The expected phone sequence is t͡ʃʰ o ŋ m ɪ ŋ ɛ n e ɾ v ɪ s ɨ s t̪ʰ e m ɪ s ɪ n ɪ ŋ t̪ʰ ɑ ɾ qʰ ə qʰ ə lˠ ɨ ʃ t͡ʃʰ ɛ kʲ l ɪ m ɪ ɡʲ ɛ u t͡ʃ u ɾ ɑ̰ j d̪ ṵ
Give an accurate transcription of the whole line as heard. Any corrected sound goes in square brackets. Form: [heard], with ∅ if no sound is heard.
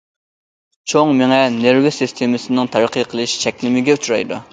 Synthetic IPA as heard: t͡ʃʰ o ŋ m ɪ ŋ ɛ n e ɾ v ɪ s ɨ s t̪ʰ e m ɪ s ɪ n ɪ ŋ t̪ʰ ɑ ɾ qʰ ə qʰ ə lˠ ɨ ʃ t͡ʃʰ ɛ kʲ l ɪ m ɪ ɡʲ ɛ u t͡ʃ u ɾ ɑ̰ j d̪ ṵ